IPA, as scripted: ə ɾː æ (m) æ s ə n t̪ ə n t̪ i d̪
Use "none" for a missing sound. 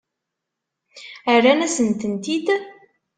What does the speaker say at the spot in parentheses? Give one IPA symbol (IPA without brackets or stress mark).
n